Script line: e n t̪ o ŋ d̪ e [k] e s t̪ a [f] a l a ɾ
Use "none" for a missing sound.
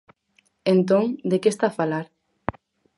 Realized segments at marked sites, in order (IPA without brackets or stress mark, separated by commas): k, f